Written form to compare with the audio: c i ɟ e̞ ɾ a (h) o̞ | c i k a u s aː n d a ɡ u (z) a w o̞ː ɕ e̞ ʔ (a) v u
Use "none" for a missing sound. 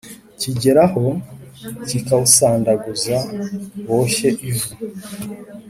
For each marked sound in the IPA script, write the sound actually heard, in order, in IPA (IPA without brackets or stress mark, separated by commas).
h, z, i